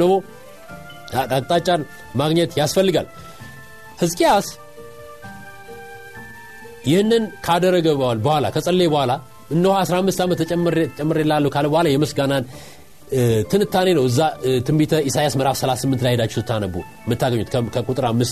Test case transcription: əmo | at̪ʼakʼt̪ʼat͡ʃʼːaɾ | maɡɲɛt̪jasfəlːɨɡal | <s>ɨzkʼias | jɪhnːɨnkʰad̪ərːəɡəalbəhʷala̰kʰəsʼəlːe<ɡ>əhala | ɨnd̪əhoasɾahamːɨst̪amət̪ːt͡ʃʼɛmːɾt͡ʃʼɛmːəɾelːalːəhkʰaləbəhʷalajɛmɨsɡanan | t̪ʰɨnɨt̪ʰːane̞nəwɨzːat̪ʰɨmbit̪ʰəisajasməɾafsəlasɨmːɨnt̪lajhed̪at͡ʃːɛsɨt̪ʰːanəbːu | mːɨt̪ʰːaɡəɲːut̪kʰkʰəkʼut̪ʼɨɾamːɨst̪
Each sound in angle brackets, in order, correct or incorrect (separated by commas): incorrect, incorrect